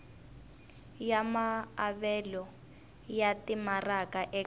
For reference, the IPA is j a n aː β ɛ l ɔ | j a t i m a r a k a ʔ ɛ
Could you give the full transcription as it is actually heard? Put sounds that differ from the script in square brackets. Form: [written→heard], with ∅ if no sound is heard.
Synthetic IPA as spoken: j a [n→m] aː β ɛ l ɔ | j a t i m a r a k a ʔ ɛ